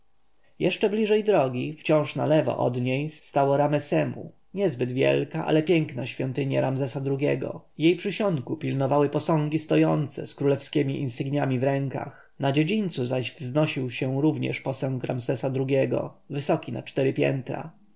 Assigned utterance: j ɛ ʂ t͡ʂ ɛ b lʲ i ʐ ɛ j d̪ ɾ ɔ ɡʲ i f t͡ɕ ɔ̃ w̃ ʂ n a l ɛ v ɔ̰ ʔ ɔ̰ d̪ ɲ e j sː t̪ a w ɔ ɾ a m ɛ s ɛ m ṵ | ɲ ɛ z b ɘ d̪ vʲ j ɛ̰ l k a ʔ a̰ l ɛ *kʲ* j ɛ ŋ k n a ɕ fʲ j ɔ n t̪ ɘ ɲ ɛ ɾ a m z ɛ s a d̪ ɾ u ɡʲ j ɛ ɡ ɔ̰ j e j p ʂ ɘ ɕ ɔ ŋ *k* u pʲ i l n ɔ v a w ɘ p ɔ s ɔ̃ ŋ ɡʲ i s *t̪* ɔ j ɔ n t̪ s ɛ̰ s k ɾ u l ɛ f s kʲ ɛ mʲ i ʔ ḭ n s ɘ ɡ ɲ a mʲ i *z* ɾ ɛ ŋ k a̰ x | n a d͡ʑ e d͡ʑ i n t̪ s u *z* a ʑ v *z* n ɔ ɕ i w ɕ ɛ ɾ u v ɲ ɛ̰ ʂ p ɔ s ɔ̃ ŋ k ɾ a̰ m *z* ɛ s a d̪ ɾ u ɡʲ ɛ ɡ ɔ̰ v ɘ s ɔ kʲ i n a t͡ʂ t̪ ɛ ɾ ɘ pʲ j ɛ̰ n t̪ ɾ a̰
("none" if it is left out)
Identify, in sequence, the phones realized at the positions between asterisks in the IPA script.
pʲ, k, t̪, v, z, z, z

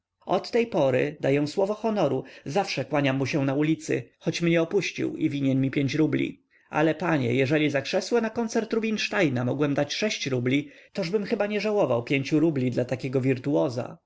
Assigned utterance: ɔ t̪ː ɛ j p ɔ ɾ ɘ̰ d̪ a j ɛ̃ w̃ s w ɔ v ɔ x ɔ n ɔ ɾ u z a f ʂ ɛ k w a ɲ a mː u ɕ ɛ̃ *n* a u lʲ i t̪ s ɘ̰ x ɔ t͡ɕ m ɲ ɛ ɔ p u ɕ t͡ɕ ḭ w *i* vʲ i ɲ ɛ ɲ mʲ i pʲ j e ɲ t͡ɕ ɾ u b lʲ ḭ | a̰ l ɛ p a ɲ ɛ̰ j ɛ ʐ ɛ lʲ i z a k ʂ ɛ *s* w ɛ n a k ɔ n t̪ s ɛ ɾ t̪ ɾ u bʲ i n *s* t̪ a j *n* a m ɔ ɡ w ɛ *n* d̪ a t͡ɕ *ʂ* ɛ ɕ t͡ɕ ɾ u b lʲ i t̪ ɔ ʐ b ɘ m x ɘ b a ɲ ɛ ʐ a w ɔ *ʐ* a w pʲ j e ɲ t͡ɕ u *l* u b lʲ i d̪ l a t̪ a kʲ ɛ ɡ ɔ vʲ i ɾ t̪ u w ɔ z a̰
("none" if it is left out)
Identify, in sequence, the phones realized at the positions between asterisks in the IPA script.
n, i, s, ʂ, n, m, ʂ, v, ɾ

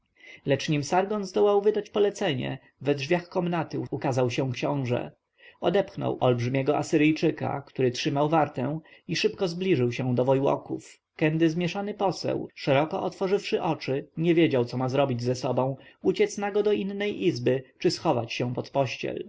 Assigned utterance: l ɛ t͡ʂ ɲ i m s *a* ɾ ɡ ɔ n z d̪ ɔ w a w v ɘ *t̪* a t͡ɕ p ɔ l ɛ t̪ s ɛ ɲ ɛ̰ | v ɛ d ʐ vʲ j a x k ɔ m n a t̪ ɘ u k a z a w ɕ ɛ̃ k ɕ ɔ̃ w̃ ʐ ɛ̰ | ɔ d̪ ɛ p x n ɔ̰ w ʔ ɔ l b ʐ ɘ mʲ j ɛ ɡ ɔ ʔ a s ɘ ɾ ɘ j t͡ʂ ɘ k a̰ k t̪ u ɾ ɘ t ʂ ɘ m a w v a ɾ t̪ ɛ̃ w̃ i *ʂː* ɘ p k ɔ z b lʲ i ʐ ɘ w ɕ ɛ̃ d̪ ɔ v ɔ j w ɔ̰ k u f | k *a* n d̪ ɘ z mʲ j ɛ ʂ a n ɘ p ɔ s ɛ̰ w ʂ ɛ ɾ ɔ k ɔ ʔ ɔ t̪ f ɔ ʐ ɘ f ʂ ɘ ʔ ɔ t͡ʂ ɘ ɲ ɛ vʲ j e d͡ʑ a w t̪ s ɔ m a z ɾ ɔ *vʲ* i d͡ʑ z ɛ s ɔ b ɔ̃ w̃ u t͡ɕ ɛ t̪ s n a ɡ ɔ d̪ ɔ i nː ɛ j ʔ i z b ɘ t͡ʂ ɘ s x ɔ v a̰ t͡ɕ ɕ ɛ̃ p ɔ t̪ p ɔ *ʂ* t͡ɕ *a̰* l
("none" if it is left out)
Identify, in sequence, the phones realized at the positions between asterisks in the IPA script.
a, d̪, ʂ, ɛ, bʲ, ɕ, ɛ̰

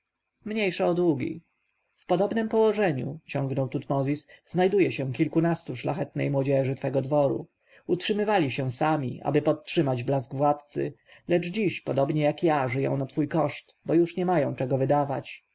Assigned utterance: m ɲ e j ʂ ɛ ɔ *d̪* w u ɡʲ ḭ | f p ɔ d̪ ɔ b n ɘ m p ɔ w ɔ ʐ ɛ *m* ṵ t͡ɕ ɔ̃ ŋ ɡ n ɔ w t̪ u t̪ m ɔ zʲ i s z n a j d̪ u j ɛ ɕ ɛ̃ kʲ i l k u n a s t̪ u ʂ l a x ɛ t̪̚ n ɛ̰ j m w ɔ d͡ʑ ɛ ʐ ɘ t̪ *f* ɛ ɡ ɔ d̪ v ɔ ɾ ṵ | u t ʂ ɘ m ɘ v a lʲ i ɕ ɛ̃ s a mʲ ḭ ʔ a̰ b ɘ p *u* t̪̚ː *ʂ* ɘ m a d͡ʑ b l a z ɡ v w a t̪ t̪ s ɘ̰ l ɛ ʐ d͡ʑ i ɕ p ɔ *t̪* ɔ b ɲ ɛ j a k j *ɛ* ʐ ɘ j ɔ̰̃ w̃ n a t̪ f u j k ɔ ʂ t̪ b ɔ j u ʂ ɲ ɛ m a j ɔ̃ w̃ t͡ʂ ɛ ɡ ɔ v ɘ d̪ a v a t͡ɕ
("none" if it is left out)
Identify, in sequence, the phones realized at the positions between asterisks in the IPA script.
d̪, ɲ, f, ɔ, ʂ, d̪, a

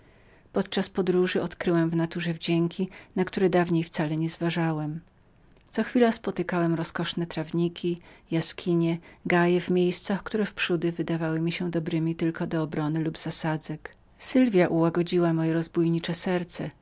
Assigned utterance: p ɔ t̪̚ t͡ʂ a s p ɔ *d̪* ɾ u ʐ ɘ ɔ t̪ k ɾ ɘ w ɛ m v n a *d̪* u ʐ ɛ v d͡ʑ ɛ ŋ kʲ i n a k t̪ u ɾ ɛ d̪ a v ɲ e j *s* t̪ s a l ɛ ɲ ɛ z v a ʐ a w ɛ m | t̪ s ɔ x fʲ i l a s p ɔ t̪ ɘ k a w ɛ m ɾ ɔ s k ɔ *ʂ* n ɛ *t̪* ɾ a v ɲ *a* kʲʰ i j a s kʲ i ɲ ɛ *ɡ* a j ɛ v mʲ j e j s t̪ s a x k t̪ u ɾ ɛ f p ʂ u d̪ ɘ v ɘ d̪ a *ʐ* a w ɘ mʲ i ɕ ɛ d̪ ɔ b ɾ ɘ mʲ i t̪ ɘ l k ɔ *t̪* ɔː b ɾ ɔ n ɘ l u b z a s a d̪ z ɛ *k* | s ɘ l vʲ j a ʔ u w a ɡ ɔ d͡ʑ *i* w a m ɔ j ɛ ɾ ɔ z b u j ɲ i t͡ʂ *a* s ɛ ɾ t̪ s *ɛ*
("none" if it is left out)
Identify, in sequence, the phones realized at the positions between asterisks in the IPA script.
d̪, t̪, f, ʂ, t̪, i, ɡ, v, d̪, k, i, ɛ, ɛ

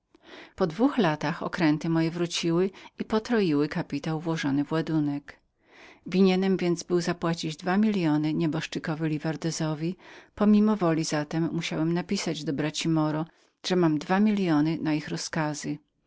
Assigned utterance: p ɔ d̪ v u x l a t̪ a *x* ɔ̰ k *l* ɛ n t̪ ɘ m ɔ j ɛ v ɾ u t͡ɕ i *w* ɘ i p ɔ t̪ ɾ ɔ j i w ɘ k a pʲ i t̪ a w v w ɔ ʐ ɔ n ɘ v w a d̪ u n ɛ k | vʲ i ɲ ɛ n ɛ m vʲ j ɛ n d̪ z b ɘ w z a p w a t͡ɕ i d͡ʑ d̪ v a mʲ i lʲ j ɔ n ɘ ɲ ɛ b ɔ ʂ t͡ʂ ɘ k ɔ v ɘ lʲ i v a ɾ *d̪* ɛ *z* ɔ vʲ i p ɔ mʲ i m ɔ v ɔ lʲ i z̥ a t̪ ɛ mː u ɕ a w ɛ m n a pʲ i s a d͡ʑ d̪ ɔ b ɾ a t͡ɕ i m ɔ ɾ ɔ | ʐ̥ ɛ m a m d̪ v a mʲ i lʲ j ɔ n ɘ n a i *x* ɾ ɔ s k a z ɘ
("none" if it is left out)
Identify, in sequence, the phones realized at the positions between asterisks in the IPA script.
x, ɾ, w, d̪, z, x

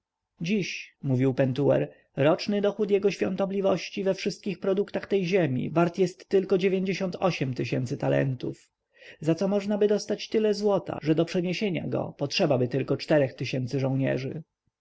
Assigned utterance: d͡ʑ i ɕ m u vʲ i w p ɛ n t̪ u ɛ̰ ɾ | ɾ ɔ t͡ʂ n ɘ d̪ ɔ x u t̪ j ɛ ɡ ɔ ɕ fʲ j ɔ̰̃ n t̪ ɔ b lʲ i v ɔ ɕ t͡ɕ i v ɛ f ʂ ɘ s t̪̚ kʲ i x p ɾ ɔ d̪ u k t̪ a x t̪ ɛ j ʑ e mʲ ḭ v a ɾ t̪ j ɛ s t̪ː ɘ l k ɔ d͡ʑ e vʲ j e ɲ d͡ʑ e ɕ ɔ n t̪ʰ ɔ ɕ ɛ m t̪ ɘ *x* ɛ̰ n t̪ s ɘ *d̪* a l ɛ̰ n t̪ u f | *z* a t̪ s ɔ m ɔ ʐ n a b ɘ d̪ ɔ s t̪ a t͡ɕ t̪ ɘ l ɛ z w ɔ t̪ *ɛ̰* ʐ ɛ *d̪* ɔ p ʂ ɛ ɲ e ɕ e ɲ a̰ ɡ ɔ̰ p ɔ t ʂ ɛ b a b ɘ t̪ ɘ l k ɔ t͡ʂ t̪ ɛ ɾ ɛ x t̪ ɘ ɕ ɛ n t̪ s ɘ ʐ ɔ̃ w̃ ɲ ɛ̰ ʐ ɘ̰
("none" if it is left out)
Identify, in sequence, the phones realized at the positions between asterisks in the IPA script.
ɕ, t̪, z, a̰, d̪

